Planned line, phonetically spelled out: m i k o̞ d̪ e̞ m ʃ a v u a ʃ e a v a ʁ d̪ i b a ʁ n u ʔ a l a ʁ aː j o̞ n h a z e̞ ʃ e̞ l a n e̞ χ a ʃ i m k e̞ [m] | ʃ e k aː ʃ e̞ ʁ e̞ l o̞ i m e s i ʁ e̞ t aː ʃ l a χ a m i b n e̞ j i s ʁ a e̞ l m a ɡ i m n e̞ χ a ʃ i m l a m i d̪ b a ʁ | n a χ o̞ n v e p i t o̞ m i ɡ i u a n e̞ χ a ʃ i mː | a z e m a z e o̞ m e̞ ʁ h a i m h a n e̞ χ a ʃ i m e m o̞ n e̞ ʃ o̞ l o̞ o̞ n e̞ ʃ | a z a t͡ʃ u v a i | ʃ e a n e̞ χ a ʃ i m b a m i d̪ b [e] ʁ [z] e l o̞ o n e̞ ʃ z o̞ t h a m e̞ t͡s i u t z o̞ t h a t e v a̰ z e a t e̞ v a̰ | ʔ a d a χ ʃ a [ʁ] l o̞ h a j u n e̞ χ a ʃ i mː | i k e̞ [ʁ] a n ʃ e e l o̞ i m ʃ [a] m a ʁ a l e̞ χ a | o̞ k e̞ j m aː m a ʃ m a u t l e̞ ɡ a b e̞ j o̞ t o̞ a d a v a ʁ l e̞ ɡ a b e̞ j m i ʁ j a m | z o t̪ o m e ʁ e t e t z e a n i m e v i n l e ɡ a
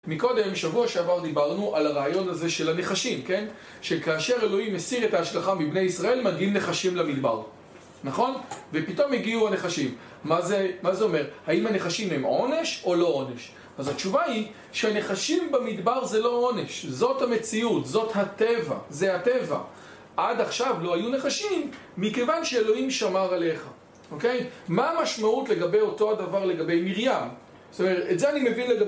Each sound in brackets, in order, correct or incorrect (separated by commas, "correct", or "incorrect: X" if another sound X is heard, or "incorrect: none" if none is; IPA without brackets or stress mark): incorrect: n, incorrect: a, correct, incorrect: v, incorrect: v, correct